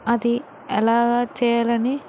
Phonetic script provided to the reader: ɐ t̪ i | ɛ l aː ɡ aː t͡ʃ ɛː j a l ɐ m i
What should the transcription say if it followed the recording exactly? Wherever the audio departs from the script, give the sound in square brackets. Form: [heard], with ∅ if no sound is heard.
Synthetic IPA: ɐ [d̪] i | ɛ l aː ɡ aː t͡ʃ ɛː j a l ɐ [n] i